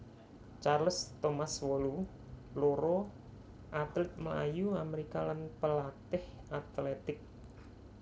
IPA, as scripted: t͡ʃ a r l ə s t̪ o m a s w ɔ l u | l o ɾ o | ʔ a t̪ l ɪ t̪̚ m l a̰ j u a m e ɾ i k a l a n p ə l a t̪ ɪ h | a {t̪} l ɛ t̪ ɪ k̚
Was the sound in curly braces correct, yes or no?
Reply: yes